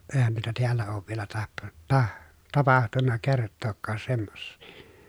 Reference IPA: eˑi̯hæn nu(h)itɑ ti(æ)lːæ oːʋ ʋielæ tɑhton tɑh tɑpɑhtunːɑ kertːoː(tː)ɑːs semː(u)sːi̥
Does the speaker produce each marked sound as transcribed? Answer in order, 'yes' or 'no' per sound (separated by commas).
no, yes, no, no